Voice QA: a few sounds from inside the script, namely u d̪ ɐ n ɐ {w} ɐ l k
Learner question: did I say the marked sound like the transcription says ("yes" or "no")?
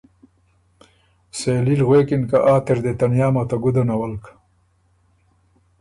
yes